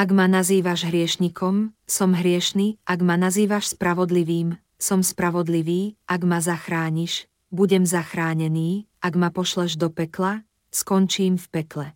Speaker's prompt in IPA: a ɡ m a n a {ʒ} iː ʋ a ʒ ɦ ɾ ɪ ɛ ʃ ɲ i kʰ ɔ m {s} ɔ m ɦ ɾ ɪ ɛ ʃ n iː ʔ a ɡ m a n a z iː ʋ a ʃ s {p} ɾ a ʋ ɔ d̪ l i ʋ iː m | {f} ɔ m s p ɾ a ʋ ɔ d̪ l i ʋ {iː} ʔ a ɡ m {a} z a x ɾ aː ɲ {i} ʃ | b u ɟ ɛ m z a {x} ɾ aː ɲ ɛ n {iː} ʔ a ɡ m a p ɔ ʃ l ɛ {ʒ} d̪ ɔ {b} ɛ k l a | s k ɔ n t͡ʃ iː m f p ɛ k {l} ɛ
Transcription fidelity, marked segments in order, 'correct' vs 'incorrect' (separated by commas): incorrect, correct, correct, incorrect, correct, correct, correct, correct, correct, correct, incorrect, correct